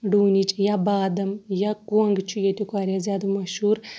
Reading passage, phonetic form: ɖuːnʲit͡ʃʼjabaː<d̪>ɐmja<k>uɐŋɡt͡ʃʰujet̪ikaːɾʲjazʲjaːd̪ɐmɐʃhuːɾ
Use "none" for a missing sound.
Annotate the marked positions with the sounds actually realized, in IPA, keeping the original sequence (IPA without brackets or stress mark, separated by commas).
d̪, k